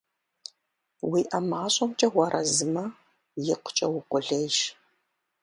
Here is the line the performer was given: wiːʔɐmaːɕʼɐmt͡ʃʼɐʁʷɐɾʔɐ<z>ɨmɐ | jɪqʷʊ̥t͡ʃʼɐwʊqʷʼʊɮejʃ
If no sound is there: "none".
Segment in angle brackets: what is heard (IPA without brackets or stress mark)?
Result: z